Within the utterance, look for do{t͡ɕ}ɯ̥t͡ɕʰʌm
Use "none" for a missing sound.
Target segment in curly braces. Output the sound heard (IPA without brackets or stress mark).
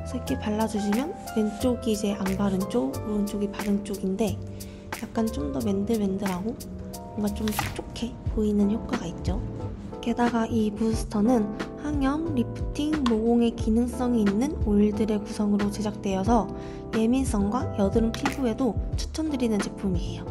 t͡ɕʰ